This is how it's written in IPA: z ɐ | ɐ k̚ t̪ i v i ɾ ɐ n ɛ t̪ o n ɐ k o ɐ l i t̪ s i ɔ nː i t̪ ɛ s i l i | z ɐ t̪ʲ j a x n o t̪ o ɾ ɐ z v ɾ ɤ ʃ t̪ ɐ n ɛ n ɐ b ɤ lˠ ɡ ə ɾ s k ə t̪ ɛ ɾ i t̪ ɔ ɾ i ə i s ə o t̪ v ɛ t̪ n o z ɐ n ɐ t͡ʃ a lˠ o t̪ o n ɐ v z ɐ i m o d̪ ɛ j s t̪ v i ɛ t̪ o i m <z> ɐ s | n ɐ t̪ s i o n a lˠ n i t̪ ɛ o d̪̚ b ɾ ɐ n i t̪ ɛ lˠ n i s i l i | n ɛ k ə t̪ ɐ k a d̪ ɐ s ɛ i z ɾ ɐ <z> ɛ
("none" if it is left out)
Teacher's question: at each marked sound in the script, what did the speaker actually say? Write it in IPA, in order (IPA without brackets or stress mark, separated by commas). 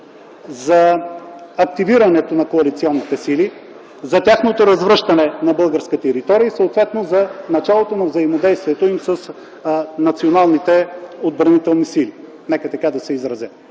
s, z